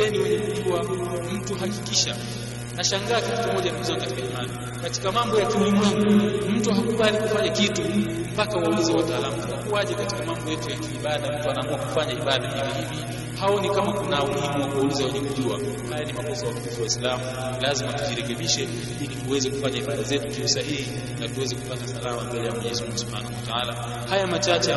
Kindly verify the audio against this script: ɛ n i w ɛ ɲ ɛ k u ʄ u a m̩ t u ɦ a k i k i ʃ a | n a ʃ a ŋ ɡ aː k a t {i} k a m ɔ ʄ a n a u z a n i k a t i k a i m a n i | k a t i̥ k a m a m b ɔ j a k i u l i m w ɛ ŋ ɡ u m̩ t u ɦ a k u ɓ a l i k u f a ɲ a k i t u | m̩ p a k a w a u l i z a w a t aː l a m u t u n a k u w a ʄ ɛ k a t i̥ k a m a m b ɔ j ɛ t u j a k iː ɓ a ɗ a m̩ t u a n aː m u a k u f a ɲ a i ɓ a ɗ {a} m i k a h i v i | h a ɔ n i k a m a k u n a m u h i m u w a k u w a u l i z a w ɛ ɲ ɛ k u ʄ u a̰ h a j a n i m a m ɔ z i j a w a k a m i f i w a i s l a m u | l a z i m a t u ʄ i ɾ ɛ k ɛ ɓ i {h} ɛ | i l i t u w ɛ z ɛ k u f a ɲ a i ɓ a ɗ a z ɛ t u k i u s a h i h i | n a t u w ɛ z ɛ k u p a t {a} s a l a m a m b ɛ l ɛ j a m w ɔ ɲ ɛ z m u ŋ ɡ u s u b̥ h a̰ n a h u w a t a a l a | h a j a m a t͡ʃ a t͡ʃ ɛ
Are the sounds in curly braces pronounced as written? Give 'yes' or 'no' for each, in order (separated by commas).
yes, yes, no, yes